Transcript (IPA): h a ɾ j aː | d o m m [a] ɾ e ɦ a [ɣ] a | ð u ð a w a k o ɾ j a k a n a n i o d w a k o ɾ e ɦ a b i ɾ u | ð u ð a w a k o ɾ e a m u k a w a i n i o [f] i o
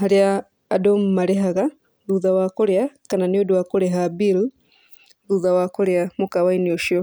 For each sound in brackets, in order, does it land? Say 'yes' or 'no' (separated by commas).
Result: yes, yes, no